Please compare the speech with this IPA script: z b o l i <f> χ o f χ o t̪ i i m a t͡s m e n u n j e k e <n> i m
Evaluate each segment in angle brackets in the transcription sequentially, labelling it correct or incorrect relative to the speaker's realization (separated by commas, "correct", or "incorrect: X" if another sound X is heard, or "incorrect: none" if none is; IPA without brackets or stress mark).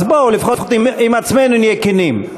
correct, correct